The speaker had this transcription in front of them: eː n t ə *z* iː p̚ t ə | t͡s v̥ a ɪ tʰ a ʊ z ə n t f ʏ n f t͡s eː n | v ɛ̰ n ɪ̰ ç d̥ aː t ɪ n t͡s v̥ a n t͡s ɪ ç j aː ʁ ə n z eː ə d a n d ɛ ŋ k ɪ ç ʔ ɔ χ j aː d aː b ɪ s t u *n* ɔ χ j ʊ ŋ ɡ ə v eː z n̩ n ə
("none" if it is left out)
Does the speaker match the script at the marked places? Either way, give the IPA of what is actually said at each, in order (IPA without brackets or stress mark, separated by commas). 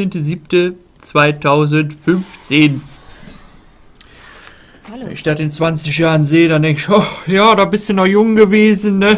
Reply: z, n